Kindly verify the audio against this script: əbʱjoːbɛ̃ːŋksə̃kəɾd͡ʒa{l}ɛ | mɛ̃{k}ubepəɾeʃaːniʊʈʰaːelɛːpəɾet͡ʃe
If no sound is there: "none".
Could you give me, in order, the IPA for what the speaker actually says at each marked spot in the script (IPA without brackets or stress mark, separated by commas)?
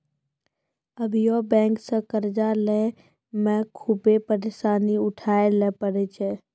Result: l, kʰ